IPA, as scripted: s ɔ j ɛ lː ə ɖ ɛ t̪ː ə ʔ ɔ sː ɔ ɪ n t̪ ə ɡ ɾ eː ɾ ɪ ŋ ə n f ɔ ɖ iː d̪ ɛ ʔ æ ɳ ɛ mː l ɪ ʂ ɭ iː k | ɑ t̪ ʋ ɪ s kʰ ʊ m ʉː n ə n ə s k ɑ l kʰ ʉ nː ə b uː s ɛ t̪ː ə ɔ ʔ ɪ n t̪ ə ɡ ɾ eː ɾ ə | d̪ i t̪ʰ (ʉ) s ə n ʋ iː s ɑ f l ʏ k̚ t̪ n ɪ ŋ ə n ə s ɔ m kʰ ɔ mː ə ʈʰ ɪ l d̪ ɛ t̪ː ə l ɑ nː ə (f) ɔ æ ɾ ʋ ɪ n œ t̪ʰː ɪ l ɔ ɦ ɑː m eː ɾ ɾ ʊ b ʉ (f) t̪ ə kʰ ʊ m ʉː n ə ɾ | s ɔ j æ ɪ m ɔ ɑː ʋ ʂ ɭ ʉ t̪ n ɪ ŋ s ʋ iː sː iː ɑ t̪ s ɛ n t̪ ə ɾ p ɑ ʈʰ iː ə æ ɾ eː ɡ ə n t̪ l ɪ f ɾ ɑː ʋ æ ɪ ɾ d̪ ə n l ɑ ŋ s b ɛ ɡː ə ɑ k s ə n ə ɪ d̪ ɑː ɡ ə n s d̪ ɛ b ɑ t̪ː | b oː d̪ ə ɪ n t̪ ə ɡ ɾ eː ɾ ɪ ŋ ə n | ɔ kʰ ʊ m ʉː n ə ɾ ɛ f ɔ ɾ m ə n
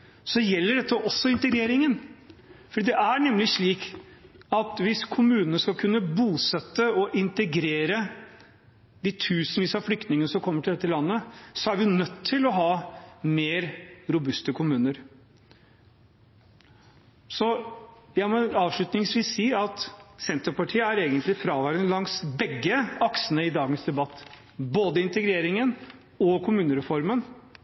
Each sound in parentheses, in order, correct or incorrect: incorrect, incorrect, incorrect

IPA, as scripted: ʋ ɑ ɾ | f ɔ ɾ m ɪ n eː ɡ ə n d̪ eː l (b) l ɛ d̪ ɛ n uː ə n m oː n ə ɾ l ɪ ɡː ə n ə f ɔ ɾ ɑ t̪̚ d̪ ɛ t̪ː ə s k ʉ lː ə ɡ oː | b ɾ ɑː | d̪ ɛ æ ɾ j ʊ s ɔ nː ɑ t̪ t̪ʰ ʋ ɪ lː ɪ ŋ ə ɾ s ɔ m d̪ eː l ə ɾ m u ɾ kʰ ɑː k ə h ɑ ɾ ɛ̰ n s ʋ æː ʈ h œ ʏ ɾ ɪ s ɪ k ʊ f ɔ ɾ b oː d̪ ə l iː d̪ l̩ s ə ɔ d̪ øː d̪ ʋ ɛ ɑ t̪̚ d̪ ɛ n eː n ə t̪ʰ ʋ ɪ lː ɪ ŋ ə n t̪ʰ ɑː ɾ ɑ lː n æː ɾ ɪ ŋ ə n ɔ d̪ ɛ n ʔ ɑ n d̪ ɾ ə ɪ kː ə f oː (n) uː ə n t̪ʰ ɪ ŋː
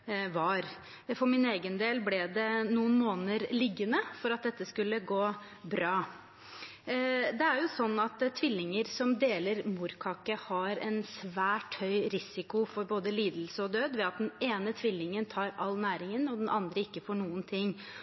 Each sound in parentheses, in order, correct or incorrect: correct, incorrect

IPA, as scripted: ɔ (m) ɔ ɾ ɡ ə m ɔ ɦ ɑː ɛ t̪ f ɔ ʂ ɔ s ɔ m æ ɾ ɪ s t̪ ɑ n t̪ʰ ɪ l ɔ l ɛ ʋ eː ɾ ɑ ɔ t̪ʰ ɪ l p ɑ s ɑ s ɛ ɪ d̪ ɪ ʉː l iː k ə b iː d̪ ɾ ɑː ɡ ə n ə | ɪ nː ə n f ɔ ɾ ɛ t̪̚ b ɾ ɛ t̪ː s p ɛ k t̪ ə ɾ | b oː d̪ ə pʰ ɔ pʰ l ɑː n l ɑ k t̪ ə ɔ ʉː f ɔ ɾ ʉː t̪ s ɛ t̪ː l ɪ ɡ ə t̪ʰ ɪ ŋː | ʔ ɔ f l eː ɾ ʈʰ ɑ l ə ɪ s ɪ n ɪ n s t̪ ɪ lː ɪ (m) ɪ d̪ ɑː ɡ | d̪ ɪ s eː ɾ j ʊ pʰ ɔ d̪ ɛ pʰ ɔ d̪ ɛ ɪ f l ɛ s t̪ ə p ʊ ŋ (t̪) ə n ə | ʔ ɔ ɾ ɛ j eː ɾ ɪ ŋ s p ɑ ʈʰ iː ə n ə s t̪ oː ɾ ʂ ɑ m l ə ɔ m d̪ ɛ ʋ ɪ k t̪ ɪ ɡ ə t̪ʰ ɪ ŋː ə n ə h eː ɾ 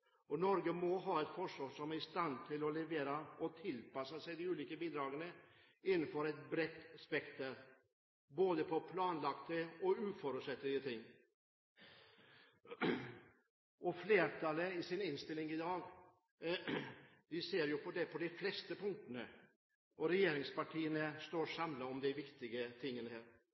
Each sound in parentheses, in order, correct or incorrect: incorrect, incorrect, correct

